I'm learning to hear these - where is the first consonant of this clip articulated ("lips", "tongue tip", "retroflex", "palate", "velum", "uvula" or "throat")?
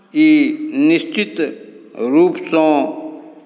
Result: tongue tip